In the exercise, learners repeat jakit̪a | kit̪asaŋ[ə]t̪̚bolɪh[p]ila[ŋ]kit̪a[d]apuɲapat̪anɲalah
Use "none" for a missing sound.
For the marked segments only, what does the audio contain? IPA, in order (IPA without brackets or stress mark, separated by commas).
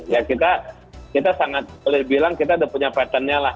a, b, ŋ, d